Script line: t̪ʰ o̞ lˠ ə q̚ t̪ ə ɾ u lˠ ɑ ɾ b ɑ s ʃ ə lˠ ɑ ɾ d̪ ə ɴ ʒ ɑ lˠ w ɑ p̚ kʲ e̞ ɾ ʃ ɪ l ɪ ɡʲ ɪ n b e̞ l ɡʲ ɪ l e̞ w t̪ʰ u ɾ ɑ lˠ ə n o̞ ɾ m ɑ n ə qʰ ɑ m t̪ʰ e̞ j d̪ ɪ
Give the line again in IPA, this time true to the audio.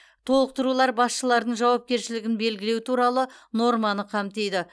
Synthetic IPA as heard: t̪ʰ o̞ lˠ ə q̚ t̪ ə ɾ u lˠ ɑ ɾ b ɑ s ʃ ə lˠ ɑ ɾ d̪ ə ɴ ʒ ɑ w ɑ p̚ kʲ e̞ ɾ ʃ ɪ l ɪ ɡʲ ɪ n b e̞ l ɡʲ ɪ l e̞ w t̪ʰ u ɾ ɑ lˠ ə n o̞ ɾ m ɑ n ə qʰ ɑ m t̪ e̞ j d̪ ɪ

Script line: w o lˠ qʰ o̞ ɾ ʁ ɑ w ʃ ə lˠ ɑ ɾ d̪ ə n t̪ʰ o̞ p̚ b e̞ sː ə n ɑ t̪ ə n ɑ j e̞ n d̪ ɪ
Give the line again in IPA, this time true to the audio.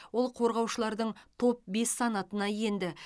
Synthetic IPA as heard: w o lˠ qʰ o̞ ɾ ʁ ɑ w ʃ ə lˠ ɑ ɾ d̪ ə ɴ t̪ʰ o̞ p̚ b e̞ sː ɑ n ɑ t̪ ə n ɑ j e̞ n d̪ ɪ

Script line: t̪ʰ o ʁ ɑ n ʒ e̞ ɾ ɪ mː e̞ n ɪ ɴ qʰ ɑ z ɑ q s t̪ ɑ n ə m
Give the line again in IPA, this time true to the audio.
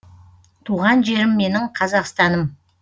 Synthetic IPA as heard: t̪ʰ u ʁ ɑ n ʒ e̞ ɾ ɪ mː e̞ n ɪ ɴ qʰ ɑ z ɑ q s t̪ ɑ n ə m

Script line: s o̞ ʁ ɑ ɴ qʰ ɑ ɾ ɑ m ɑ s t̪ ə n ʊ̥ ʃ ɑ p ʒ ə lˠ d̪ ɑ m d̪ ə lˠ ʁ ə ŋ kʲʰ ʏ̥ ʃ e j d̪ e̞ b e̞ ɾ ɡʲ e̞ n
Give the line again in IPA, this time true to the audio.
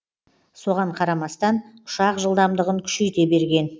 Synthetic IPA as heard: s o̞ ʁ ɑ ɴ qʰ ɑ ɾ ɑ m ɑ s t̪ ɑ n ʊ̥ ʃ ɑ q ʒ ə lˠ d̪ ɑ m d̪ ə ʁ ə ŋ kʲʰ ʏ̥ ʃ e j t̪ e̞ b e̞ ɾ ɡʲ e̞ n

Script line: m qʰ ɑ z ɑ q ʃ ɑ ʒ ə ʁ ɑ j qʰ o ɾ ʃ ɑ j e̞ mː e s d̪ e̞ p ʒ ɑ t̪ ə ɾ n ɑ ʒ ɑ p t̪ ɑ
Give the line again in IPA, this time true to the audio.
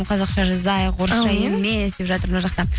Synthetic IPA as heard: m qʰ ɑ z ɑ q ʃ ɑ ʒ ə z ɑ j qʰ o ɾ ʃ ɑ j e̞ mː e s d̪ e̞ p ʒ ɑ t̪ ə ɾ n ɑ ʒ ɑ q t̪ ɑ

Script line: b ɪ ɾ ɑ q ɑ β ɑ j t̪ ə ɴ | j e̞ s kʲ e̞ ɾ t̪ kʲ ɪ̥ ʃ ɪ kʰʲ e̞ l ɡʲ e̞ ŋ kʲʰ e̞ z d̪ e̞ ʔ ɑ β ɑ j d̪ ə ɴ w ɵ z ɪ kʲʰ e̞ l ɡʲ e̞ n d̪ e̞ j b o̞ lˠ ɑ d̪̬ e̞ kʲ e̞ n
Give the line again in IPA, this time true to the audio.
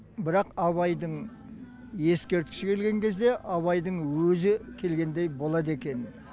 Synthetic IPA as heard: b ɪ ɾ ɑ q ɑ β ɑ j d̪ ə ɴ | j e̞ s kʲ e̞ ɾ t̪ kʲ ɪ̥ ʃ ɪ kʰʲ e̞ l ɡʲ e̞ ŋ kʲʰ e̞ z d̪ e̞ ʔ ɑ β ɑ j d̪ ə ɴ w ɵ z ɪ kʲʰ e̞ l ɡʲ e̞ n d̪ e̞ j b o̞ lˠ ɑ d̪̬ e̞ kʲ e̞ n

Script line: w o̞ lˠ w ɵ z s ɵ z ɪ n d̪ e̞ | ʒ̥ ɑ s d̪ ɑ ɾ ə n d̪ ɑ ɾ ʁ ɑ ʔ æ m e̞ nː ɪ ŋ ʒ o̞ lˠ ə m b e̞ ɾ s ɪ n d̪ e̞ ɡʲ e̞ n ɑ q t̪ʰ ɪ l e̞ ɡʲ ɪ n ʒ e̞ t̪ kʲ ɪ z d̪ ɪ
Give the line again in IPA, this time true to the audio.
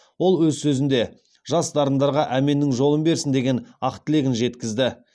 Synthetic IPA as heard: w o̞ lˠ w ɵ z s ɵ z ɪ n d̪ e̞ | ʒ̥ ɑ s d̪ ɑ ɾ ə n d̪ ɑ ɾ ʁ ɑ ʔ æ m e̞ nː ɪ ŋ ʒ o̞ lˠ ə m b e̞ ɾ s ɪ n d̪ e̞ ɡʲ e̞ n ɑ q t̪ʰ ɪ l e̞ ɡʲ ɪ n ʒ e̞ t̪ kʲ ɪ z d̪ ɪ

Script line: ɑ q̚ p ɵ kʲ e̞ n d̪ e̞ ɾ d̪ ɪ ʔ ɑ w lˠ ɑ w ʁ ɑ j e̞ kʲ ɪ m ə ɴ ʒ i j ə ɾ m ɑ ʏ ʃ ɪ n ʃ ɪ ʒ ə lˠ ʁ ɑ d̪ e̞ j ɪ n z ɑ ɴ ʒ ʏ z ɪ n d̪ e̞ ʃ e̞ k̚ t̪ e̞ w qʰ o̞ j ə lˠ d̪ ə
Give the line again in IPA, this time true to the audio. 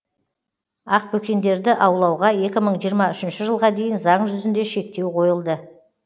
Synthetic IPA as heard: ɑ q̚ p ɵ kʲ e̞ n d̪ e̞ ɾ d̪ ɪ ʔ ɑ w lˠ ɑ w ʁ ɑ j e̞ kʲ ɪ m ə ɴ ʒ i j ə ɾ m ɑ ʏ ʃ ɪ n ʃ ɪ ʒ ə lˠ ʁ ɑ d̪ e̞ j ɪ n z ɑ ɴ ʒ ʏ z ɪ n d̪ e̞ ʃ e̞ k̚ t̪ e̞ w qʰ o̞ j ə lˠ d̪ ə

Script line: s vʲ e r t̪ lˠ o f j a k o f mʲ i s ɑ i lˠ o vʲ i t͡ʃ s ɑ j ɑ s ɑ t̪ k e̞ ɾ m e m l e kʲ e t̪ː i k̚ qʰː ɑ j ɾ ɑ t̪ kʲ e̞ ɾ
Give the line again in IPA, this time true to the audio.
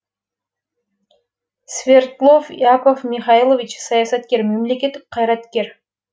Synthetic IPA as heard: s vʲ e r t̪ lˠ o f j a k o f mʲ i χ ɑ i lˠ o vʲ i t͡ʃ s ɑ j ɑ s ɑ t̪ k e̞ ɾ m e m l e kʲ e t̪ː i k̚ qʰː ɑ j ɾ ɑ t̪ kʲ e̞ ɾ

